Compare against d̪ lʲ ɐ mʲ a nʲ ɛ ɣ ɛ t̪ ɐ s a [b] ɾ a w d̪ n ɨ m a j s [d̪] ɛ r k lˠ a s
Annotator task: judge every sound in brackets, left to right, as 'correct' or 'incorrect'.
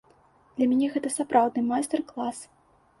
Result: incorrect: p, incorrect: t̪

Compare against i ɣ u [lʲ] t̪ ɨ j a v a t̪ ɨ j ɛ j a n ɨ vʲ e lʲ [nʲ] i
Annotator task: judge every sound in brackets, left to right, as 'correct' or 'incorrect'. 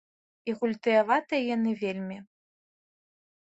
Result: correct, incorrect: mʲ

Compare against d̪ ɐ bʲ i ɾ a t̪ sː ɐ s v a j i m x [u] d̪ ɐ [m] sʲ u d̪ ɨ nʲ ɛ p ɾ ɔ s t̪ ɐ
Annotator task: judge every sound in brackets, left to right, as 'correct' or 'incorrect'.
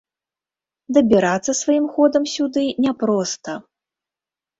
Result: incorrect: ɔ, correct

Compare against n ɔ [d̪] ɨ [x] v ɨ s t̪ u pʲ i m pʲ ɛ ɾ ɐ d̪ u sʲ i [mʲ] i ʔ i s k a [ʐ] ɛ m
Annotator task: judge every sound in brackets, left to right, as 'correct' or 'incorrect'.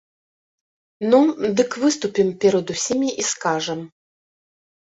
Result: correct, incorrect: k, correct, correct

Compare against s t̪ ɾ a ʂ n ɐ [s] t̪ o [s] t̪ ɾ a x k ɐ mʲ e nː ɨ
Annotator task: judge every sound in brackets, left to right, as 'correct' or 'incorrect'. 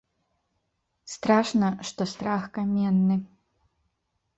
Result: incorrect: ʂ, correct

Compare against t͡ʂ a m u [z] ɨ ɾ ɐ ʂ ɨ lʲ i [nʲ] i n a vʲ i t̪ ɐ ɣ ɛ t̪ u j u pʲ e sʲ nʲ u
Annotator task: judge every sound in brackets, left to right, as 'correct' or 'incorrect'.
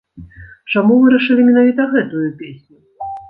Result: incorrect: v, incorrect: mʲ

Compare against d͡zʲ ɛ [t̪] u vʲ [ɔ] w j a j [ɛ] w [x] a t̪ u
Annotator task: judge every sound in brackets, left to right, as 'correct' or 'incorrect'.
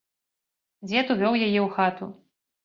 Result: correct, correct, correct, correct

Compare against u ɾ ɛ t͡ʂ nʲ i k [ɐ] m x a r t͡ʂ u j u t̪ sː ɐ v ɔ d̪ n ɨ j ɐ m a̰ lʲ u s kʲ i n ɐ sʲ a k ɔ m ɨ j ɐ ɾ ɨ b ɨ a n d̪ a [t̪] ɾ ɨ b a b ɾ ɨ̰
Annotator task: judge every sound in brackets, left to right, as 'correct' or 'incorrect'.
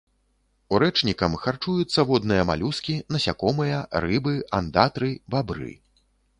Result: correct, correct

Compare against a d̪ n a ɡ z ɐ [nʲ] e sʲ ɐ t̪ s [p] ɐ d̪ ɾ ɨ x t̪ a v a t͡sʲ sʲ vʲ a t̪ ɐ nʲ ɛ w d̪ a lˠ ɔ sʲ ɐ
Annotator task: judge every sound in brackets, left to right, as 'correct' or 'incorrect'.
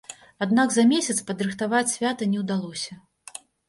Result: incorrect: mʲ, correct

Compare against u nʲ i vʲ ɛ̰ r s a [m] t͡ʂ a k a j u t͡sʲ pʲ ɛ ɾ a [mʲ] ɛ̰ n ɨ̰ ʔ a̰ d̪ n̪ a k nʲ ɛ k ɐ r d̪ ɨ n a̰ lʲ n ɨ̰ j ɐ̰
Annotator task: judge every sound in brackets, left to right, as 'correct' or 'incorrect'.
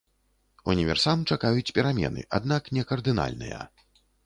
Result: correct, correct

